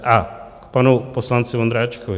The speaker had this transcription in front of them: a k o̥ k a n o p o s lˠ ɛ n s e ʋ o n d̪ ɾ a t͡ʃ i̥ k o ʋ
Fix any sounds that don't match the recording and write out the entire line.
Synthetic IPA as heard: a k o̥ p a n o p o s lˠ a n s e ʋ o n d̪ ɾ a t͡ʃ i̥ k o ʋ